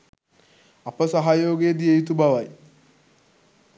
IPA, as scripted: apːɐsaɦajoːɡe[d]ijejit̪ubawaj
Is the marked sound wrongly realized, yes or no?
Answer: no